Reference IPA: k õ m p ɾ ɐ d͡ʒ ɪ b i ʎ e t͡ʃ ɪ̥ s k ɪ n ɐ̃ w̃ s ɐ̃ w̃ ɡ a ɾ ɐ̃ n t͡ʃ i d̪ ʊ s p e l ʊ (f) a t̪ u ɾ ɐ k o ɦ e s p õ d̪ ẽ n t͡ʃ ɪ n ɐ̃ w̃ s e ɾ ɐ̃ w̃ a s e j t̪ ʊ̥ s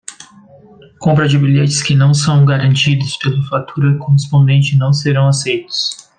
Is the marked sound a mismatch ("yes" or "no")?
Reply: no